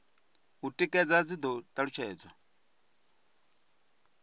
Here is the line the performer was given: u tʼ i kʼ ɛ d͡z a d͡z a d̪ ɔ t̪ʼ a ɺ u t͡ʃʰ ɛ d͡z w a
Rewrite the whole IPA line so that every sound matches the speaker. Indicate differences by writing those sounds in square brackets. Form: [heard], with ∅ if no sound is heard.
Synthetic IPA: u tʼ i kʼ ɛ d͡z a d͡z [i] d̪ ɔ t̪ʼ a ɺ u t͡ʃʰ [ɛː] d͡z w a